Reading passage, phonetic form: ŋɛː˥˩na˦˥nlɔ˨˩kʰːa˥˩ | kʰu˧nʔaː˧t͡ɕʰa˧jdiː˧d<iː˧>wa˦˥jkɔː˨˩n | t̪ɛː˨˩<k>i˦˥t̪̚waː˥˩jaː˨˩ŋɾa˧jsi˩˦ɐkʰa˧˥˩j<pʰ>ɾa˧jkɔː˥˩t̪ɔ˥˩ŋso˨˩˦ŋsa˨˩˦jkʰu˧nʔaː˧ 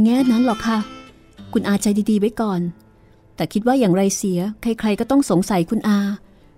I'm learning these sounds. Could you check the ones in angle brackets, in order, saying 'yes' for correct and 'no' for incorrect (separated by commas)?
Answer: yes, no, no